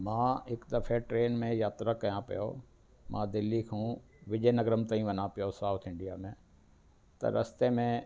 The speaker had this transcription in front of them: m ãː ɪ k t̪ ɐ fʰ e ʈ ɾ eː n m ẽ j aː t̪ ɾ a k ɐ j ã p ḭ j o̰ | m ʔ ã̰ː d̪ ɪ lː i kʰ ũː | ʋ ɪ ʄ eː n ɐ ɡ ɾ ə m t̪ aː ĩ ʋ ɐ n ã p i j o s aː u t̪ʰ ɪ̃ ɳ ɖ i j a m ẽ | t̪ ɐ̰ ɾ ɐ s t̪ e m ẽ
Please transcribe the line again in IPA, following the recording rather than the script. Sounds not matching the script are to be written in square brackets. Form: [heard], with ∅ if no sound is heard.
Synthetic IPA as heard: m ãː ɪ k [d̪] ɐ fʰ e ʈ ɾ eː n m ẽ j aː t̪ ɾ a k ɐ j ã p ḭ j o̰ | m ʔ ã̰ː d̪ ɪ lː i kʰ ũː | ʋ ɪ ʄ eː n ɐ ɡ ɾ ə m t̪ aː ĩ ʋ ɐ n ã p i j o s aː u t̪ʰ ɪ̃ ɳ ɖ i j a m ẽ | t̪ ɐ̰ ɾ ɐ s t̪ e m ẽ

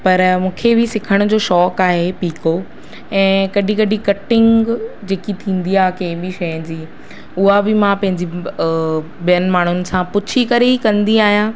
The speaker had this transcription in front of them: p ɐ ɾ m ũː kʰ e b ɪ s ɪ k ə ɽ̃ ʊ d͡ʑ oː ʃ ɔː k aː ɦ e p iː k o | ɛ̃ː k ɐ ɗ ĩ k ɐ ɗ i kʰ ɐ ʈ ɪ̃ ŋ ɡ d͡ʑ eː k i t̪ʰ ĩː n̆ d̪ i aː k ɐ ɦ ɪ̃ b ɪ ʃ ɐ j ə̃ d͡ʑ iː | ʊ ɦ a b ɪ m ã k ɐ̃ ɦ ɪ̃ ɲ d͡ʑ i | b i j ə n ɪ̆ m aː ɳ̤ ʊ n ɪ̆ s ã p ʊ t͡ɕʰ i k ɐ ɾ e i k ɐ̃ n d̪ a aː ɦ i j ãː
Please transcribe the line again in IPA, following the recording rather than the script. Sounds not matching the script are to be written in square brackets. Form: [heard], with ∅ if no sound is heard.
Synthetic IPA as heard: p ɐ ɾ m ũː kʰ e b ɪ s ɪ [kʰ] ə ɽ̃ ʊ d͡ʑ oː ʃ ɔː k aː ɦ e p iː k o | ɛ̃ː k ɐ ɗ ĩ k ɐ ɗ i [k] ɐ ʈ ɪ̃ ŋ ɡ d͡ʑ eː k i t̪ʰ ĩː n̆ d̪ i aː k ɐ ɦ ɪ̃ b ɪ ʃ ɐ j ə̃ d͡ʑ iː | ʊ ɦ a b ɪ m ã [p] ɐ̃ ɦ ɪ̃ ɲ d͡ʑ i | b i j ə n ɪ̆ m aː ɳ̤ ʊ n ɪ̆ s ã p ʊ t͡ɕʰ i k ɐ ɾ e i k ɐ̃ n d̪ [i] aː ɦ i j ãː

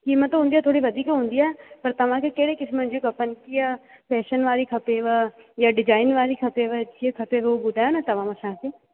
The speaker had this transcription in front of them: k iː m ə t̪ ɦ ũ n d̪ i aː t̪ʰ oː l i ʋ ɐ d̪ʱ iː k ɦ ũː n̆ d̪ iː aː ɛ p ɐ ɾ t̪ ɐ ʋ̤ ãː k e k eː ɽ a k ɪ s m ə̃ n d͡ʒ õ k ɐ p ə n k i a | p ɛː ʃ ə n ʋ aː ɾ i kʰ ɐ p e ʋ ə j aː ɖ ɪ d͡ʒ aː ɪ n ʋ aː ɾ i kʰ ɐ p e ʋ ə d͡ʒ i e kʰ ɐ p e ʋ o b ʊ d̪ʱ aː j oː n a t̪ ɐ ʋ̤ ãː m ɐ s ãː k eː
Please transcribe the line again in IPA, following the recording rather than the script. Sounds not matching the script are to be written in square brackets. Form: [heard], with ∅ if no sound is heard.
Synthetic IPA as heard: k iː m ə t̪ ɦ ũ n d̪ i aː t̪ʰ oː [ɽ] i ʋ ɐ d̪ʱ iː k ɦ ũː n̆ d̪ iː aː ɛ p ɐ ɾ t̪ ɐ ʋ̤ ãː k e k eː ɽ [e] k ɪ s m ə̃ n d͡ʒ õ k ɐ p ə n k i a | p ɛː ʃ ə n ʋ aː ɾ i kʰ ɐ p e ʋ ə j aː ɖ ɪ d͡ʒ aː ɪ n ʋ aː ɾ i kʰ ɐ p e ʋ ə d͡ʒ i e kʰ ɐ p e ʋ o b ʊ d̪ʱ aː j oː n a t̪ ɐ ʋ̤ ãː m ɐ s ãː k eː

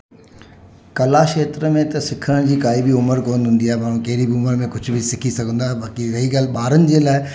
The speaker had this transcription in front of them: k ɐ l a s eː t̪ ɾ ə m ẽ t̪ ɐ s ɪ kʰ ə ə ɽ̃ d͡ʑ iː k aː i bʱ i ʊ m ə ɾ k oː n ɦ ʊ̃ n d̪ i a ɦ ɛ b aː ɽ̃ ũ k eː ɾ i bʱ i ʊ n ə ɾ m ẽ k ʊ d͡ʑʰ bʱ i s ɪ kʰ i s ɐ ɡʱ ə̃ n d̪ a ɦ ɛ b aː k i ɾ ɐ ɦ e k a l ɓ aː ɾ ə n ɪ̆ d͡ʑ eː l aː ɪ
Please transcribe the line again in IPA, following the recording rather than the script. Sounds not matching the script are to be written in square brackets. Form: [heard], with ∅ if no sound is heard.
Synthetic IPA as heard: k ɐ l a [ʃ] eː t̪ ɾ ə m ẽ t̪ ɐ s ɪ kʰ ə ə ɽ̃ d͡ʑ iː k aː i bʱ i ʊ m ə ɾ k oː n ɦ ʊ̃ n d̪ i a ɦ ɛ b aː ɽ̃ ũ k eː ɾ i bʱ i ʊ [m] ə ɾ m ẽ k ʊ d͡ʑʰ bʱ i s ɪ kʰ i s ɐ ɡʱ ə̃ n d̪ a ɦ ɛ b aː k i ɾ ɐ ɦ [i] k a l ɓ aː ɾ ə n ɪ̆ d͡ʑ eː l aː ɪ

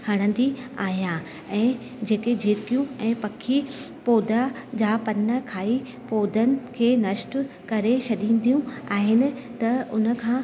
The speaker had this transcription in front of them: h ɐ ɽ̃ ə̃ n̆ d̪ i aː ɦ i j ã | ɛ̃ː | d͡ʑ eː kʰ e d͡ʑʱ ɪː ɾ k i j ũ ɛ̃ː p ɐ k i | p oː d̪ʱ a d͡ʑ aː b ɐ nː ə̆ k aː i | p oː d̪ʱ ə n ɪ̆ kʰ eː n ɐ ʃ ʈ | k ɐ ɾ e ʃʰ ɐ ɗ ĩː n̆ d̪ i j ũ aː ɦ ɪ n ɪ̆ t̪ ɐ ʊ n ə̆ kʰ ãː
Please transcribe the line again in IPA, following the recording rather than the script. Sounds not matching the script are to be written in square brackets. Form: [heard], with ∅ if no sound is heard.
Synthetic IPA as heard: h ɐ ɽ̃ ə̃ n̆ d̪ i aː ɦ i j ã | ɛ̃ː | d͡ʑ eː [k] e d͡ʑʱ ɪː ɾ k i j ũ ɛ̃ː p ɐ [kʰ] i | p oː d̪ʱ a d͡ʑ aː [p] ɐ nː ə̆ [kʰ] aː i | p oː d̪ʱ ə n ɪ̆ kʰ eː n ɐ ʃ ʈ | k ɐ ɾ e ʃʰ ɐ ɗ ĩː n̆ d̪ i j ũ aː ɦ ɪ n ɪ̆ t̪ ɐ ʊ n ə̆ kʰ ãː

